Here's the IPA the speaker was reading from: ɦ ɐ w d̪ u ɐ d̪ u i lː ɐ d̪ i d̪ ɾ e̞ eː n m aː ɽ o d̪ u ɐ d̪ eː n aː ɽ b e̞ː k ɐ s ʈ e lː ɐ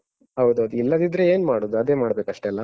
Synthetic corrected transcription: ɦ ɐ w d̪ u ɐ d̪ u i lː ɐ d̪ i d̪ ɾ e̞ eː n m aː ɽ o d̪ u ɐ d̪ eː m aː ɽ b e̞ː k ɐ ʂ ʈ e lː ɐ